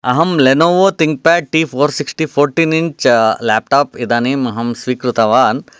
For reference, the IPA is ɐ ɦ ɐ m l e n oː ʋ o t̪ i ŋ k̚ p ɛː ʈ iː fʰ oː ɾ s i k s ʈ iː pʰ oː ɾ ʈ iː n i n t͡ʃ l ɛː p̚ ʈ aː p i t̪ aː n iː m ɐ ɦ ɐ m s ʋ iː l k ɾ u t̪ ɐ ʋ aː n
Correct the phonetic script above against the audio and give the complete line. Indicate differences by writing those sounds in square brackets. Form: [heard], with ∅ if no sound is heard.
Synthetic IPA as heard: ɐ ɦ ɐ m l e n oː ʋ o t̪ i ŋ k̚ p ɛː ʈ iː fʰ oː ɾ s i k s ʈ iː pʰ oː ɾ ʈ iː n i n t͡ʃ l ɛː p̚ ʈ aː p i [d̪] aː n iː m ɐ ɦ ɐ m s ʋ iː [∅] k ɾ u t̪ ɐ ʋ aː n